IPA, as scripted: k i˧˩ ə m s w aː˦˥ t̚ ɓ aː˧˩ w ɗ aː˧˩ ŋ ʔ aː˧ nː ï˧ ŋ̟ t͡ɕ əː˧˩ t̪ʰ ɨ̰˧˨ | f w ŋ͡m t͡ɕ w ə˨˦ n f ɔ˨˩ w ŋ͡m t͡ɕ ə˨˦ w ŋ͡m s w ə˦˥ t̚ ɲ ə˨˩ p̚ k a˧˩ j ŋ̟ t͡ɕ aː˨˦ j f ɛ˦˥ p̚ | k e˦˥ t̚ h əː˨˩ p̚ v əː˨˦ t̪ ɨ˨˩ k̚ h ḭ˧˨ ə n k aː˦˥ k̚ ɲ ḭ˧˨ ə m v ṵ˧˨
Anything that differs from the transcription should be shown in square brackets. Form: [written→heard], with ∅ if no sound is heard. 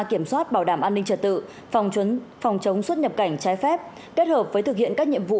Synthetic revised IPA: k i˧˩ ə m s w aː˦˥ t̚ ɓ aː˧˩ w ɗ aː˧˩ [ŋ→m] ʔ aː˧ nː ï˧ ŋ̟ t͡ɕ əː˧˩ [t̪ʰ→t̪] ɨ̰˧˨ | f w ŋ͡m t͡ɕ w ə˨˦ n f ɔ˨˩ w ŋ͡m t͡ɕ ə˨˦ w ŋ͡m s w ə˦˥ t̚ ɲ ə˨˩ p̚ k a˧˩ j ŋ̟ t͡ɕ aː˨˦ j f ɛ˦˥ p̚ | k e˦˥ t̚ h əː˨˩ p̚ v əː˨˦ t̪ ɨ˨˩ k̚ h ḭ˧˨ ə n k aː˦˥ k̚ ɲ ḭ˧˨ ə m v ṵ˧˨